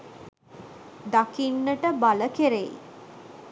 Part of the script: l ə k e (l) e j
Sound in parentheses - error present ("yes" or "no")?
yes